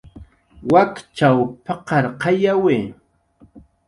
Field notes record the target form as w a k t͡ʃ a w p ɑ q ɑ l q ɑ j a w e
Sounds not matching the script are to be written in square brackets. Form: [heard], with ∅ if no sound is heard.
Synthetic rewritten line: w a k t͡ʃ a w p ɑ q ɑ [ɾ] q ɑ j a w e